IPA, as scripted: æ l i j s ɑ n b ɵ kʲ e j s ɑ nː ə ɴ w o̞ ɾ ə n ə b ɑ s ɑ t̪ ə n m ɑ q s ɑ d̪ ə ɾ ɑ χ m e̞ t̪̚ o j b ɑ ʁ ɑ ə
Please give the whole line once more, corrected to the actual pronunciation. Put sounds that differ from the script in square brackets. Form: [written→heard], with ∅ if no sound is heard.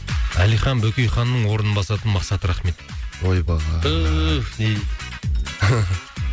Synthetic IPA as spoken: æ l i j [s→χ] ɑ n b ɵ kʲ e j [s→χ] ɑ nː ə ɴ w o̞ ɾ ə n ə b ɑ s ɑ t̪ ə n m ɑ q s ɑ [d̪→t̪] ə ɾ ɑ χ m e̞ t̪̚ o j b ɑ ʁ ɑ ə